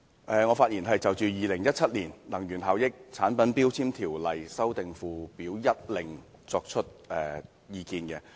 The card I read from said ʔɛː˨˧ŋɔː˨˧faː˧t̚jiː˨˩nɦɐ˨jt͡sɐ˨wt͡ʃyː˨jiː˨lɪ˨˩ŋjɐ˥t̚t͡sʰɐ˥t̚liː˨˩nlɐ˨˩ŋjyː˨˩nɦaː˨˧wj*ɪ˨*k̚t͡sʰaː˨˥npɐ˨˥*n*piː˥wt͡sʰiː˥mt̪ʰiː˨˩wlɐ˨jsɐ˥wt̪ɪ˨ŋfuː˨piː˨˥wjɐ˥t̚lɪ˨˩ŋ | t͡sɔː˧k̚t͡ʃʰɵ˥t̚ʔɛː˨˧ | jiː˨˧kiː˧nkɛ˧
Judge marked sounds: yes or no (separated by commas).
no, yes